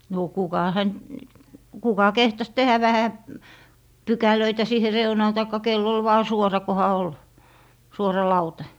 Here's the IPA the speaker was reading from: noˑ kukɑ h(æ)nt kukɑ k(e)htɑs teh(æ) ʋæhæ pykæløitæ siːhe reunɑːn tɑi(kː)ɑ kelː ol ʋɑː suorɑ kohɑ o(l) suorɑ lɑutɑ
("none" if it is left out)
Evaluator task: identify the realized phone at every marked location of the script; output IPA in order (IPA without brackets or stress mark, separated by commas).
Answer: æ, e, æ, kː, l